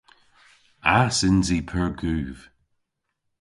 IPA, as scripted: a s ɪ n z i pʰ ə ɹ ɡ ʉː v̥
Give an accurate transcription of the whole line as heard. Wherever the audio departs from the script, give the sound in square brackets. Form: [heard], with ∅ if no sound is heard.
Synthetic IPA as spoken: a s ɪ n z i pʰ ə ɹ ɡ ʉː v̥